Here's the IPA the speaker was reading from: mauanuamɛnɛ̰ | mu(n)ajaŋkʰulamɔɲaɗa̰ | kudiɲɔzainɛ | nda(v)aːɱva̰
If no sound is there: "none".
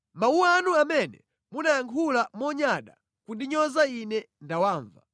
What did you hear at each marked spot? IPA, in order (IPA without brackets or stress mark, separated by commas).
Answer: n, w